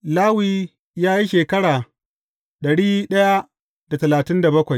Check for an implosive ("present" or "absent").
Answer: present